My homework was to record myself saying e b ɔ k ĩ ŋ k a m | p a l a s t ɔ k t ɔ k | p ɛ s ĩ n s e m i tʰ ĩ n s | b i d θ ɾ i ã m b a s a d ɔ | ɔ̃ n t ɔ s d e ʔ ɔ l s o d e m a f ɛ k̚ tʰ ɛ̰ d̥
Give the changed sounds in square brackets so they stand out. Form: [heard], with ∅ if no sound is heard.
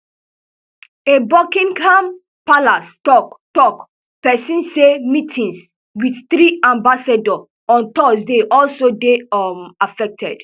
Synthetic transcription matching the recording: e b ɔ k ĩ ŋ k a m | p a l a s t ɔ k t ɔ k | p ɛ s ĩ n s e m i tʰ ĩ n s | [w] i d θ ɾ i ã m b a s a d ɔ | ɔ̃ n t ɔ s d e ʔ ɔ l s o d e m a f ɛ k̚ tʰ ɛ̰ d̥